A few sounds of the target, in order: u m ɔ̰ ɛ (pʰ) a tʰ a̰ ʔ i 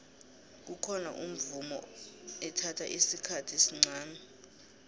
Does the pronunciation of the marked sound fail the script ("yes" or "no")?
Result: yes